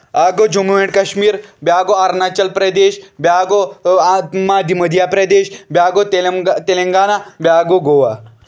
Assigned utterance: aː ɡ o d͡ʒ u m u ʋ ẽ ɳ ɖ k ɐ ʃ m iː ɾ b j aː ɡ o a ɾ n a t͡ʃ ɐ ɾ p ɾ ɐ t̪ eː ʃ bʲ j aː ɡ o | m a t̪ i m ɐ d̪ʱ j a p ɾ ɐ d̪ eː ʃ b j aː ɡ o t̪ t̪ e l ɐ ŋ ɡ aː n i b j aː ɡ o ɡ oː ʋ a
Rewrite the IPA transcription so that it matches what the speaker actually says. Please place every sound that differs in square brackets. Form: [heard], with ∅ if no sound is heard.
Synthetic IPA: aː ɡ o d͡ʒ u m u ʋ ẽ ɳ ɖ k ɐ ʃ m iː ɾ b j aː ɡ o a ɾ n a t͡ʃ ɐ [l] p ɾ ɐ [d̪] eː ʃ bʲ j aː ɡ o | m a [d̪] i m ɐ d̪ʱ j a p ɾ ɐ d̪ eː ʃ b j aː ɡ o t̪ t̪ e l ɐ ŋ ɡ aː n [a] b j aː ɡ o ɡ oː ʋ a